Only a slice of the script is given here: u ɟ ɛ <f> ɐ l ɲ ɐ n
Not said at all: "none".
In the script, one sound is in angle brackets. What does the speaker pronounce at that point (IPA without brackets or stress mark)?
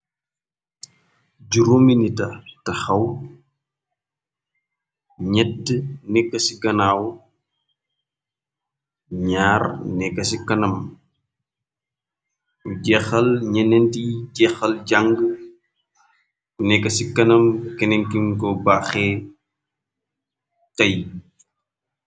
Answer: x